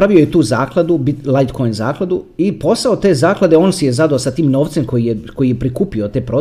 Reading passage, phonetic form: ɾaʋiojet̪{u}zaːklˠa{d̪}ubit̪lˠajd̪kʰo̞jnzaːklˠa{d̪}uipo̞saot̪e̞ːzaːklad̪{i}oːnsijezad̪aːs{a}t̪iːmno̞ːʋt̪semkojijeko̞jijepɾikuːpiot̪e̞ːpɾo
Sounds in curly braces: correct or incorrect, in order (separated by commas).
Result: incorrect, correct, correct, incorrect, correct